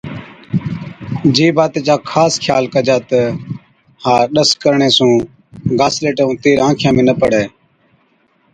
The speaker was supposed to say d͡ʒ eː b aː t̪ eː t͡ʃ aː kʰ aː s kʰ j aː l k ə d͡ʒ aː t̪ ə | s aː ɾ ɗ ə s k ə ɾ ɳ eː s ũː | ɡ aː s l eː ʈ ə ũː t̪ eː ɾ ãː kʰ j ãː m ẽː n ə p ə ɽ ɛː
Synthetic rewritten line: d͡ʒ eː b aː t̪ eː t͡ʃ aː kʰ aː s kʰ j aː l k ə d͡ʒ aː t̪ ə | h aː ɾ ɗ ə s k ə ɾ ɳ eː s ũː | ɡ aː s l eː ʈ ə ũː t̪ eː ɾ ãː kʰ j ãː m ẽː n ə p ə ɽ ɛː

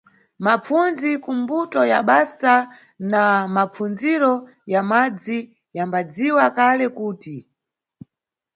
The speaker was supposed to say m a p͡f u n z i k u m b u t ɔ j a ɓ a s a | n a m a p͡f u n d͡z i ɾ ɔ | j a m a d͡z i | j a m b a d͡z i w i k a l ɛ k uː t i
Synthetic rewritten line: m a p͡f u n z i k u m b u t ɔ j a ɓ a s a | n a m a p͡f u n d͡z i ɾ ɔ | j a m a d͡z i | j a m b a d͡z i w a k a l ɛ k uː t i

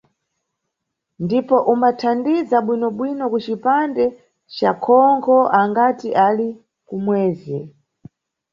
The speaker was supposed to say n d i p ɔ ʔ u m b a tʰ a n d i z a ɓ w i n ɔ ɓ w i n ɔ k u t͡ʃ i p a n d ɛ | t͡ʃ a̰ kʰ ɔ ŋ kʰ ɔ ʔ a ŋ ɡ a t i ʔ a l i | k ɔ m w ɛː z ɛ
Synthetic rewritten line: n d i p ɔ ʔ u m b a tʰ a n d i z a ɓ w i n ɔ ɓ w i n ɔ k u t͡ʃ i p a n d ɛ | t͡ʃ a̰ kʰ ɔ ŋ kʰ ɔ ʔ a ŋ ɡ a t i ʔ a l i | k u m w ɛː z ɛ

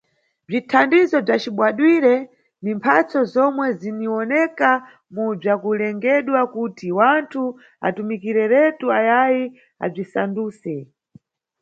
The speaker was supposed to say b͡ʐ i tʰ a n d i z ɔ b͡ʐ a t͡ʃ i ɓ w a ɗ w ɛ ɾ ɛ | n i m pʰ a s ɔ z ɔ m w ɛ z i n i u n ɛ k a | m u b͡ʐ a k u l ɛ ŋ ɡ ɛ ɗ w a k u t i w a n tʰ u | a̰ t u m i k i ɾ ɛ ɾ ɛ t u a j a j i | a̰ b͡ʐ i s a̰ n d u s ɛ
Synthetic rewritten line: b͡ʐ i tʰ a n d i z ɔ b͡ʐ a t͡ʃ i ɓ w a ɗ w i ɾ ɛ | n i m pʰ a t͡s ɔ z ɔ m w ɛ z i n i ɔ n ɛ k a | m u b͡ʐ a k u l ɛ ŋ ɡ ɛ ɗ w a k u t i w a n tʰ u | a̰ t u m i k i ɾ ɛ ɾ ɛ t u a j a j i | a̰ b͡ʐ i s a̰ n d uː s ɛ

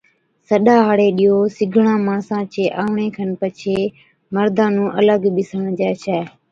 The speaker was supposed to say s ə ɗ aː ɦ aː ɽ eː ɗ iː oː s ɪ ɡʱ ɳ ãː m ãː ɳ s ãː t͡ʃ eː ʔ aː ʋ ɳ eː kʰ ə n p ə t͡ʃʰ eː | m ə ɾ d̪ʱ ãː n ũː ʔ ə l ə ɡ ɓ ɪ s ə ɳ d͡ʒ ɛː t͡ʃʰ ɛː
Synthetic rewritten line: s ə ɗ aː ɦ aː ɽ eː ɗ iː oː s ɪ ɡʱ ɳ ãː m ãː s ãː t͡ʃ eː ʔ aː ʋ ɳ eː kʰ ə n p ə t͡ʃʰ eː | m ə ɾ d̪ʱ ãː n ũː ʔ ə l ə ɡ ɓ ɪ s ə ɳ d͡ʒ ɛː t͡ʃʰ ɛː

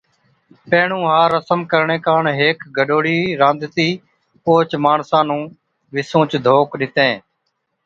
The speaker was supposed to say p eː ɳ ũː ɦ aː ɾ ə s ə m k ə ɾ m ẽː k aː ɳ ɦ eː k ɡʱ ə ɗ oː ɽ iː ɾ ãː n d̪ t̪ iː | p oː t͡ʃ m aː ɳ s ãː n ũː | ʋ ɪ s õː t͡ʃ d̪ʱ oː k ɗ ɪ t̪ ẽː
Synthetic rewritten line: p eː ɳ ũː ɦ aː ɾ ə s ə m k ə ɾ ɳ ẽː k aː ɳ ɦ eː k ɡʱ ə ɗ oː ɽ iː ɾ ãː n d̪ t̪ iː | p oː t͡ʃ m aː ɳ s ãː n ũː | ʋ ɪ s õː t͡ʃ d̪ʱ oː k ɗ ɪ t̪ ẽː

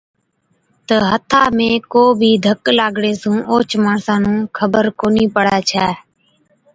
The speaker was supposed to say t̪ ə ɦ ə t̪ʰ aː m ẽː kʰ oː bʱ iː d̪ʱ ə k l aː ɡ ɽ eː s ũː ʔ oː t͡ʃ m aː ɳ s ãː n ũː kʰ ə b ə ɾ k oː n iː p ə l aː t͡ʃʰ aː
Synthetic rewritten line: t̪ ə ɦ ə t̪ʰ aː m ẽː k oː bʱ iː d̪ʱ ə k l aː ɡ ɽ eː s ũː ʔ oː t͡ʃ m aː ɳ s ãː n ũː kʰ ə b ə ɾ k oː n iː p ə ɽ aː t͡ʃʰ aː

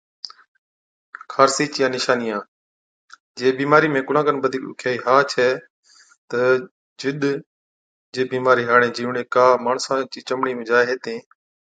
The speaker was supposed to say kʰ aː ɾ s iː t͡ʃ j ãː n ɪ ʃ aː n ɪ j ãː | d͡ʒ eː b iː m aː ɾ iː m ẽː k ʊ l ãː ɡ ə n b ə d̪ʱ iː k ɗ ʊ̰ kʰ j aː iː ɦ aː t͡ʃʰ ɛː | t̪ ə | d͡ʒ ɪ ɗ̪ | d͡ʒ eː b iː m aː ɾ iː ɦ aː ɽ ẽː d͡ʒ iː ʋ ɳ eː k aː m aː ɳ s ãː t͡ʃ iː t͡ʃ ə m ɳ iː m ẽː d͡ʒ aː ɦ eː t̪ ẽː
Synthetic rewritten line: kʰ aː ɾ s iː t͡ʃ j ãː n ɪ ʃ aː n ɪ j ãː | d͡ʒ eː b iː m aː ɾ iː m ẽː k ʊ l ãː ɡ ə n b ə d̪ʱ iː k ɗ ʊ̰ kʰ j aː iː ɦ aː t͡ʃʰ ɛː | t̪ ə | d͡ʒ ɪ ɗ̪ | d͡ʒ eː b iː m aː ɾ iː ɦ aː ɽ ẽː d͡ʒ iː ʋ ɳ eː k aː m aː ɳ s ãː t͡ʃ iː t͡ʃ ə m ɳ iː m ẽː d͡ʒ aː ɦ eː t̪ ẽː

